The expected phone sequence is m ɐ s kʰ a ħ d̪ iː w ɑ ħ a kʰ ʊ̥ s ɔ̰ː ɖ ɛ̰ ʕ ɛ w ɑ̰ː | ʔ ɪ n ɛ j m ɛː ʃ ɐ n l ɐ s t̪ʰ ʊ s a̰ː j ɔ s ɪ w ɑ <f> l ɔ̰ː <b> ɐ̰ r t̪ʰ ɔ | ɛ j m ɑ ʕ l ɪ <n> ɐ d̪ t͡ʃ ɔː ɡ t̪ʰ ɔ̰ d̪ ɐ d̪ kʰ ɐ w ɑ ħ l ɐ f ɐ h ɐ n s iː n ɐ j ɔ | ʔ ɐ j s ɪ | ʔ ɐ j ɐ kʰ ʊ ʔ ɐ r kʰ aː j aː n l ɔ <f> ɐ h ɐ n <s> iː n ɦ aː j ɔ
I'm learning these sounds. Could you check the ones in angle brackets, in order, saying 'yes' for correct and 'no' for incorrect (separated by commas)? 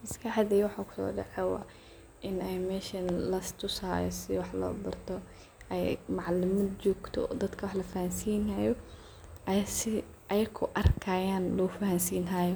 no, yes, no, yes, yes